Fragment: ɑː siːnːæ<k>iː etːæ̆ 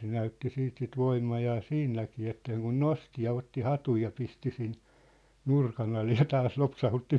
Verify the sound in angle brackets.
correct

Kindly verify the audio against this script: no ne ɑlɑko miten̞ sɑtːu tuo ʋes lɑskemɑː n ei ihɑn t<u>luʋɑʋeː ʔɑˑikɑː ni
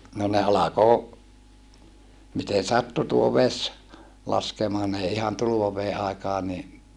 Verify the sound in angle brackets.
correct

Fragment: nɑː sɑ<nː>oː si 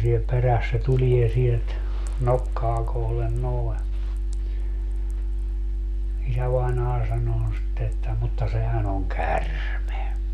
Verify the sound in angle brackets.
incorrect: n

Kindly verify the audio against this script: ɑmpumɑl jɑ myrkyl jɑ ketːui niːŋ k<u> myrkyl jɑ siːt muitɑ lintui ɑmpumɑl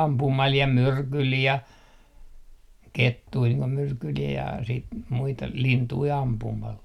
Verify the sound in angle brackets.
incorrect: o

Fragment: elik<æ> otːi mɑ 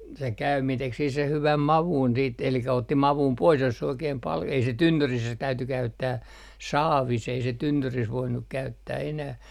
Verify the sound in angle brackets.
correct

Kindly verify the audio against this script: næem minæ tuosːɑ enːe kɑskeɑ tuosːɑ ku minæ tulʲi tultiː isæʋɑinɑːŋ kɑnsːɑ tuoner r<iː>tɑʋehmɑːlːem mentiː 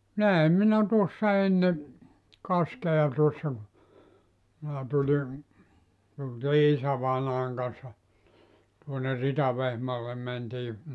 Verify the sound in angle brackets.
incorrect: i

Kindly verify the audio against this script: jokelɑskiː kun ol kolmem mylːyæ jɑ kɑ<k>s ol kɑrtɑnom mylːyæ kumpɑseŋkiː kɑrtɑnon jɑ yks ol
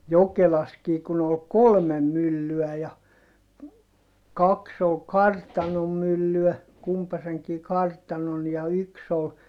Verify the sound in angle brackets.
correct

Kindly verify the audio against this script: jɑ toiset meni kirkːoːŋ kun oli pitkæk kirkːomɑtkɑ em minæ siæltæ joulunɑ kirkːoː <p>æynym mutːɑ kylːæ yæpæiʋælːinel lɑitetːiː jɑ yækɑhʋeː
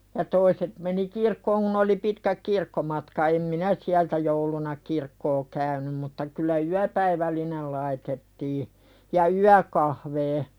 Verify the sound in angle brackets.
incorrect: k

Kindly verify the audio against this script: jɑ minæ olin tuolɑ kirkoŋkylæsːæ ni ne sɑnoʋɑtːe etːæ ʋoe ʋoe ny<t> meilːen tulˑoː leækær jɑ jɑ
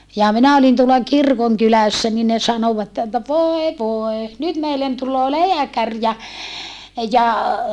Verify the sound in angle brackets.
correct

